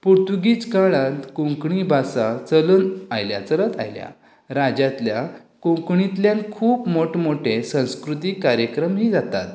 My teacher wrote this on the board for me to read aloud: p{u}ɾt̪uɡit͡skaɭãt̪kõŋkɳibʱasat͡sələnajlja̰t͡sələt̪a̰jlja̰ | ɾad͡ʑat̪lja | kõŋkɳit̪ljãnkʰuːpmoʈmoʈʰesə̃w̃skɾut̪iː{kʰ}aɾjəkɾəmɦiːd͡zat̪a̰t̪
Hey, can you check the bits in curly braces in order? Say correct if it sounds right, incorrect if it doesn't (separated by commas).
correct, incorrect